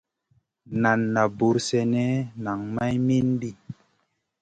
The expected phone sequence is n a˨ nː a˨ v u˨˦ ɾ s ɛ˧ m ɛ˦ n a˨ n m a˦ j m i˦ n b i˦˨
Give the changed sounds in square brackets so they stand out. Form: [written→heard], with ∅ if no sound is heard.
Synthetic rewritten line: n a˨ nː a˨ [v→b] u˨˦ ɾ s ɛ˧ [m→n] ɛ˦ n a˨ [n→ŋ] m a˦ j m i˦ n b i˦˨